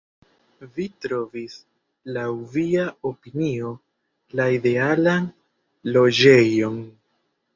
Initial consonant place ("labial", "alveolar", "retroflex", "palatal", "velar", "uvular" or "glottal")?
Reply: labial